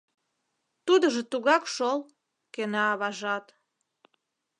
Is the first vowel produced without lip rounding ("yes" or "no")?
no